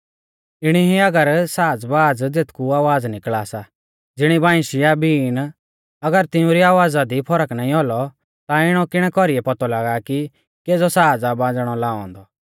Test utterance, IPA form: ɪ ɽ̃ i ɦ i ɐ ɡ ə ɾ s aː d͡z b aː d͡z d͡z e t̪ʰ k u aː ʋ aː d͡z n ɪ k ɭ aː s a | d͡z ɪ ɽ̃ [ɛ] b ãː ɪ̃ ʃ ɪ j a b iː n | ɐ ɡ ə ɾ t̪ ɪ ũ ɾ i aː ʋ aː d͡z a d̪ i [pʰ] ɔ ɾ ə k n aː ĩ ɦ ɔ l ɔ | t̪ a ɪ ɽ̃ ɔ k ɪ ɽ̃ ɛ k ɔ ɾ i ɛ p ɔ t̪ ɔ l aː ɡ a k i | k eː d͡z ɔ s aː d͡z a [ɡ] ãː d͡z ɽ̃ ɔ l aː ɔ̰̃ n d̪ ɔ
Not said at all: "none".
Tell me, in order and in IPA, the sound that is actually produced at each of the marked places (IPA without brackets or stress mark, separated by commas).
i, pʰ, b